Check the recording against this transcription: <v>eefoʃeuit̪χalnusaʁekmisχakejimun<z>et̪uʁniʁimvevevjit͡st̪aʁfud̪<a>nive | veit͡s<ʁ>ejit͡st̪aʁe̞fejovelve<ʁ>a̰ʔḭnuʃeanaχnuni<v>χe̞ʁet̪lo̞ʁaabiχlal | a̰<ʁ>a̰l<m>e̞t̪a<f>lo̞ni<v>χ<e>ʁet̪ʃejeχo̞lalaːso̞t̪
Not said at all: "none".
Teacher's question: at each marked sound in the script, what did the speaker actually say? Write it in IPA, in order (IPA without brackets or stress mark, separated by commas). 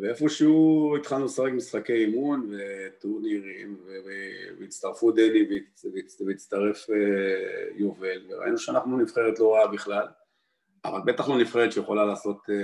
v, v, e, v, ʁ, f, v, b, χ, f, e